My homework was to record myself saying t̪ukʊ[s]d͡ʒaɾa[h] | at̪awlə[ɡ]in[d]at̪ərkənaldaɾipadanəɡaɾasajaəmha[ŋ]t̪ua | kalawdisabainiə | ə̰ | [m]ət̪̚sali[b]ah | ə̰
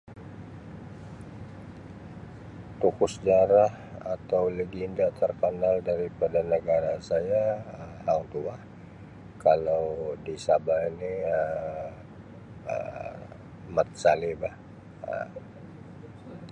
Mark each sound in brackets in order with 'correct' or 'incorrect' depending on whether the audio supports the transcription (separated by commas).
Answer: correct, correct, correct, correct, correct, correct, correct